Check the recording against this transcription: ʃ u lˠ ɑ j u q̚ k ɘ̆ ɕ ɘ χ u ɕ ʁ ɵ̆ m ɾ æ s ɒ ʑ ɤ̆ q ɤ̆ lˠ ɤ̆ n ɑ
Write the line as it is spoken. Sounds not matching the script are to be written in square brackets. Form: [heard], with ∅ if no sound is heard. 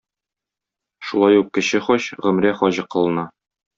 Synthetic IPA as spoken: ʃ u lˠ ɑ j u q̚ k ɘ̆ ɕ ɘ χ [ɒ] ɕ ʁ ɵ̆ m ɾ æ [χ] ɒ ʑ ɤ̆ q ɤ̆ lˠ ɤ̆ n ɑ

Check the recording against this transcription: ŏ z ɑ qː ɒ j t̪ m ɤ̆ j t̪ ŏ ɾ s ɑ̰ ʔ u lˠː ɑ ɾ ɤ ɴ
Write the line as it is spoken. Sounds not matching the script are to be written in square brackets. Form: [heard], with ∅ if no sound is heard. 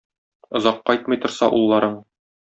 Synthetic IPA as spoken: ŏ z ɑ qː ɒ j t̪ m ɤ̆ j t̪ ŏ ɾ s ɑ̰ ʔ u lˠː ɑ ɾ ɤ ɴ

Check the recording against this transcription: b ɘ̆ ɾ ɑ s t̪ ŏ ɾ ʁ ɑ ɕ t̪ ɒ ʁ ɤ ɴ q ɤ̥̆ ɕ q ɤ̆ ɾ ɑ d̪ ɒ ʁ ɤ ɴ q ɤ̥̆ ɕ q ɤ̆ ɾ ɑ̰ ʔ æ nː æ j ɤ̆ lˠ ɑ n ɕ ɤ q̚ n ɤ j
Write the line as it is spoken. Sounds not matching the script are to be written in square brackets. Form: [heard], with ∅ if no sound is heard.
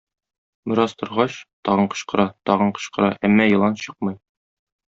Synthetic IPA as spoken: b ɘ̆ ɾ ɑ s t̪ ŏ ɾ ʁ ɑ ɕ t̪ ɒ ʁ ɤ ɴ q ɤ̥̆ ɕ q ɤ̆ ɾ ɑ [t̪] ɒ ʁ ɤ ɴ q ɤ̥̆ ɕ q ɤ̆ ɾ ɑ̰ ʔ æ [mː] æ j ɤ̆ lˠ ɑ n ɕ ɤ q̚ [m] ɤ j

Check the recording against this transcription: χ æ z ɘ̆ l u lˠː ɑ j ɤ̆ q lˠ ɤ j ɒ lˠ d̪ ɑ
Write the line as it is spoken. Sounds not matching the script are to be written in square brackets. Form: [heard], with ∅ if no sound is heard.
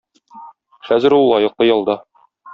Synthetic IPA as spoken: χ æ z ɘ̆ [ɾ] u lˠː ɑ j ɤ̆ q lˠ ɤ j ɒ lˠ d̪ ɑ

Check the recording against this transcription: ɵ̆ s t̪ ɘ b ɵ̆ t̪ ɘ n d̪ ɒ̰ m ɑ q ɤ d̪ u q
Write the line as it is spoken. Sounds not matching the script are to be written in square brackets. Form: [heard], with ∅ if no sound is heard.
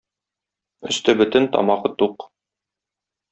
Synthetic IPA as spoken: ɵ̆ s t̪ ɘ b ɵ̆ t̪ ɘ n [t̪] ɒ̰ m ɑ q ɤ [t̪] u q

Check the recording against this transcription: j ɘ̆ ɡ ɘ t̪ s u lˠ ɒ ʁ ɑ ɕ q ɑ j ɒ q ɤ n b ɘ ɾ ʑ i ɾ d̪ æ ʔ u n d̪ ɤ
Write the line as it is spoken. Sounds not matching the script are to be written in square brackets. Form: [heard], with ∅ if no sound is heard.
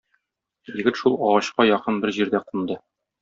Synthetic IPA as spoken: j ɘ̆ ɡ ɘ t̪ [ʃ] u lˠ ɒ ʁ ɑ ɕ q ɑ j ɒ q ɤ n b ɘ ɾ ʑ i ɾ d̪ æ [q] u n d̪ ɤ

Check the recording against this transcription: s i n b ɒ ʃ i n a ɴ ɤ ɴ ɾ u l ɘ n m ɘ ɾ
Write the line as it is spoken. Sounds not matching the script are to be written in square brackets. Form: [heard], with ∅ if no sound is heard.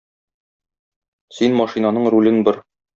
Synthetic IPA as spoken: s i n [m] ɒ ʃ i n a [n] ɤ ɴ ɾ u l ɘ n [b] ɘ ɾ

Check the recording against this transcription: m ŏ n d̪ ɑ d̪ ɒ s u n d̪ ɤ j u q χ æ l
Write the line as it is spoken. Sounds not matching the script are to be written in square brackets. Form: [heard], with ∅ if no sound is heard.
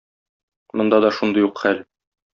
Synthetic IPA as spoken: m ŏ n d̪ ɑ d̪ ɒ [ʃ] u n d̪ ɤ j u q χ æ l

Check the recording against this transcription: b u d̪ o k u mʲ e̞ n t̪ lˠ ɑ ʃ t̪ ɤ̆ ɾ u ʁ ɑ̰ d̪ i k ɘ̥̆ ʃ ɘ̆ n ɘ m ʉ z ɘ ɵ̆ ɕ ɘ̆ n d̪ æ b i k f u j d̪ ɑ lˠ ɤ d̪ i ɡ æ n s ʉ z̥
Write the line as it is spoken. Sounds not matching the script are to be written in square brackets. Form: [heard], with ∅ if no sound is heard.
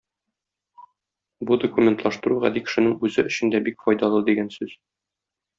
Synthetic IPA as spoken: b u d̪ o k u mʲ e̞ n t̪ lˠ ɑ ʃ t̪ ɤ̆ ɾ u ʁ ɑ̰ d̪ i k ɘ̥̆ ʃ ɘ̆ n ɘ [ŋ] ʉ z ɘ ɵ̆ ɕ ɘ̆ n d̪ æ b i k f [ɒ] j d̪ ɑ lˠ ɤ d̪ i ɡ æ n s ʉ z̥

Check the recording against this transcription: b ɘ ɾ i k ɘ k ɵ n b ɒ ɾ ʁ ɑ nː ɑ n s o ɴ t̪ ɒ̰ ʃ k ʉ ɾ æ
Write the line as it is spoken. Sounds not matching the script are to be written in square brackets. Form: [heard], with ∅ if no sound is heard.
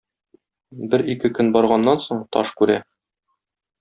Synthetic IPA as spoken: b ɘ ɾ i k ɘ k ɵ n b ɒ ɾ ʁ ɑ nː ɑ n s o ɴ t̪ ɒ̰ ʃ k ʉ ɾ æ

